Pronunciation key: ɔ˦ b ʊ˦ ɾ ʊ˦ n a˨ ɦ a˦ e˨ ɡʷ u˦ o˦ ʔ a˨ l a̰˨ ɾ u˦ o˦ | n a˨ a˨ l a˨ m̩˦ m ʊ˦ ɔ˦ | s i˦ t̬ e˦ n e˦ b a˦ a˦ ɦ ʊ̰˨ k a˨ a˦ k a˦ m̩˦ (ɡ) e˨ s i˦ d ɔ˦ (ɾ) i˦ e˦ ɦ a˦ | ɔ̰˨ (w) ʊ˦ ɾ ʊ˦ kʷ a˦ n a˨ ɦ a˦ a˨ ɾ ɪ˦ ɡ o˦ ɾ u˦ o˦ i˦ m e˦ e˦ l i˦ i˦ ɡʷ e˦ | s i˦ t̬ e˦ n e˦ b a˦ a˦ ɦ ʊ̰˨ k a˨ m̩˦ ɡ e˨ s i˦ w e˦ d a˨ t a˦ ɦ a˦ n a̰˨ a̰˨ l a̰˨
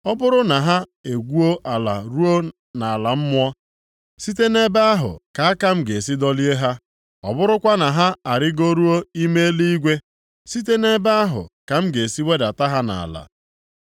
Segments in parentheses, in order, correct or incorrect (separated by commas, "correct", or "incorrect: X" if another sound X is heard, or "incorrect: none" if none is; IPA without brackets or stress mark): correct, incorrect: l, incorrect: b